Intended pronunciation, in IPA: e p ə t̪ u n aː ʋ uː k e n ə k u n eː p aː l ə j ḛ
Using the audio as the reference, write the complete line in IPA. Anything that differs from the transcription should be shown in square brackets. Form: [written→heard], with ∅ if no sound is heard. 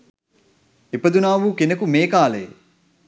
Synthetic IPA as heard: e p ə [t̪→d̪] u n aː ʋ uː k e n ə k u [n→m] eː [p→k] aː l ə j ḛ